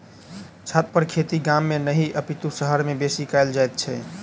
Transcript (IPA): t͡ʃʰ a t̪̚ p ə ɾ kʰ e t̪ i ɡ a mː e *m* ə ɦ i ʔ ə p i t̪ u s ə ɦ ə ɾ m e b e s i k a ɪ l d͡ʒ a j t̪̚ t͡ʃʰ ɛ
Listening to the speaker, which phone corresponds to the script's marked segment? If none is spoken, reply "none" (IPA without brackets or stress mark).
n